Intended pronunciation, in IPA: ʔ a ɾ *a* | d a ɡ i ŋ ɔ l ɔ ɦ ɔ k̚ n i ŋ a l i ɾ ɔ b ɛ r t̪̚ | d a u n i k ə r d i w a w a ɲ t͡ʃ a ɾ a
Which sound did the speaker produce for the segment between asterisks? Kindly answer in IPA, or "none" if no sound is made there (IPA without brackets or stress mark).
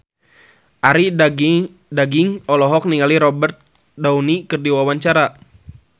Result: i